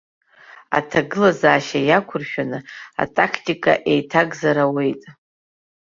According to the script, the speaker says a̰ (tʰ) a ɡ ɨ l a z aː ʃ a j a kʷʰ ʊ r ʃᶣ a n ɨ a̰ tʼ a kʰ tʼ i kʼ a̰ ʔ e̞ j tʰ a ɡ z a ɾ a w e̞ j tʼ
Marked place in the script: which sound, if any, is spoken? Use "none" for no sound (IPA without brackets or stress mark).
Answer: tʰ